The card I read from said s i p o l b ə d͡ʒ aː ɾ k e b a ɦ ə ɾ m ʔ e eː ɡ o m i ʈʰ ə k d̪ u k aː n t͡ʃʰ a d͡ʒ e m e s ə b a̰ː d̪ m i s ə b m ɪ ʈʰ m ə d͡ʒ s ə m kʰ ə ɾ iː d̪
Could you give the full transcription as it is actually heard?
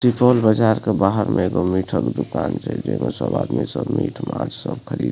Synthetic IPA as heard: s i p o l b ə d͡ʒ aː ɾ k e b a ɦ ə ɾ m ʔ e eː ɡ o m i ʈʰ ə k d̪ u k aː n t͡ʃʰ ɛ d͡ʒ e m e s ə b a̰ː d̪ m i s ə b m i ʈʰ m a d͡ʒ s ə b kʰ ə ɾ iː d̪